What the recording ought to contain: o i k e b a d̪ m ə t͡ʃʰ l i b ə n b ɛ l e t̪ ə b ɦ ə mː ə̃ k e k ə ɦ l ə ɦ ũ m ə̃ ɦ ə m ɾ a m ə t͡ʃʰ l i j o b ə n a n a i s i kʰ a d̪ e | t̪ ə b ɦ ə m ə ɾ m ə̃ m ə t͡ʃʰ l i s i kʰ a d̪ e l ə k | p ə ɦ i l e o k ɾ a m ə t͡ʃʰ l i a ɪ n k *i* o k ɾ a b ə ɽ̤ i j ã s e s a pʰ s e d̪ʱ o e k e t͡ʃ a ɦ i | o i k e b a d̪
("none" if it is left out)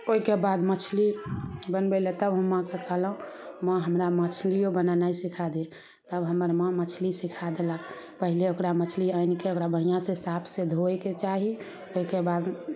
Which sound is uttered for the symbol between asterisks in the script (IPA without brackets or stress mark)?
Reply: e